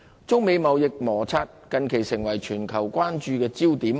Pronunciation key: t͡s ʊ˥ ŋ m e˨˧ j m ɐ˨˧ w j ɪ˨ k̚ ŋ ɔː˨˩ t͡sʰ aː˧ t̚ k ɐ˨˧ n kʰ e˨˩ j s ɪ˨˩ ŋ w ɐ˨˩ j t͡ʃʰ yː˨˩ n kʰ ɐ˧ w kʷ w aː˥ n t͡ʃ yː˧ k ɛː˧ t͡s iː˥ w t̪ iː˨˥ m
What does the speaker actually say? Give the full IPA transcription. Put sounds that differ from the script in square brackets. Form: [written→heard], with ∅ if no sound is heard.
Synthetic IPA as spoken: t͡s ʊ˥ ŋ m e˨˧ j m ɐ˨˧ w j ɪ˨ k̚ [ŋ→m] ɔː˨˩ t͡sʰ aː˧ t̚ k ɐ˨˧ n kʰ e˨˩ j s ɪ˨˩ ŋ w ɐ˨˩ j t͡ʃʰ yː˨˩ n kʰ [ɐ˧→ɐ˨˩] w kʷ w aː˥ n t͡ʃ yː˧ k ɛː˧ t͡s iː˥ w t̪ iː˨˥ m